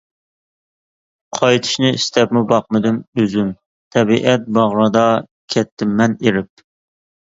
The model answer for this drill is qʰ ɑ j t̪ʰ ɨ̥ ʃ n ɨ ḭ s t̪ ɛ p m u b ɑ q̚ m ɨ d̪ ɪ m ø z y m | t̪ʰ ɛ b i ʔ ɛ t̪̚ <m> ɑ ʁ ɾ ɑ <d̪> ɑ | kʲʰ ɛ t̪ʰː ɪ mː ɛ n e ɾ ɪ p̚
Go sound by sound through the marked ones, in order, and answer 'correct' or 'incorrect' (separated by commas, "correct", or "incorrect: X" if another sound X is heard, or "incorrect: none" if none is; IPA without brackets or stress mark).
incorrect: b, correct